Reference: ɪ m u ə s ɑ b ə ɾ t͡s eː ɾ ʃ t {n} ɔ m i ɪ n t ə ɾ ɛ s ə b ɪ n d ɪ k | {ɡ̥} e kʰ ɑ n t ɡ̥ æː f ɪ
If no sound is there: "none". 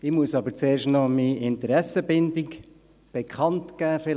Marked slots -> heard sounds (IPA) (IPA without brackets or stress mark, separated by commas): n, b̥